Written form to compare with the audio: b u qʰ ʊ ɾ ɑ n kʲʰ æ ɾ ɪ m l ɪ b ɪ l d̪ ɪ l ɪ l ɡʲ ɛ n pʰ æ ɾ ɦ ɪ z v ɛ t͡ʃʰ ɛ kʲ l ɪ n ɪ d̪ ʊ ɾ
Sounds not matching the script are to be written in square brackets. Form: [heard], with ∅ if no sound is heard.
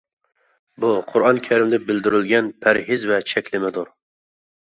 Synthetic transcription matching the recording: b u qʰ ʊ ɾ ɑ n kʲʰ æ ɾ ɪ m l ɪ b ɪ l d̪ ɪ [ɾ] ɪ l ɡʲ ɛ n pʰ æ ɾ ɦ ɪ z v ɛ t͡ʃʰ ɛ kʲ l ɪ [m] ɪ d̪ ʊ ɾ